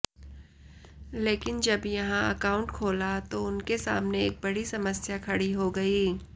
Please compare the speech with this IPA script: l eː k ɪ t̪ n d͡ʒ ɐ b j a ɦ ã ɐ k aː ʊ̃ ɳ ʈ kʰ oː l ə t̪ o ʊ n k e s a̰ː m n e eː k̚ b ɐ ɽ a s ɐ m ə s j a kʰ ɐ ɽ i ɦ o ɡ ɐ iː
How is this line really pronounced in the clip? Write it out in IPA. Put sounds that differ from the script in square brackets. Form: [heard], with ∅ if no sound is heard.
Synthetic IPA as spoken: l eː k ɪ [∅] n d͡ʒ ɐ b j [ɐ] ɦ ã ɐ k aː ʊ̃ ɳ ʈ kʰ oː l [a] t̪ o ʊ n k e s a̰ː m n e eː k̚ b ɐ ɽ [i] s ɐ m ə s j a kʰ ɐ ɽ i ɦ o ɡ ɐ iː